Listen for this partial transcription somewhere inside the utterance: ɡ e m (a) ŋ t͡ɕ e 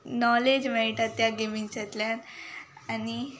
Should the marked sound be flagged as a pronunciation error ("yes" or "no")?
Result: yes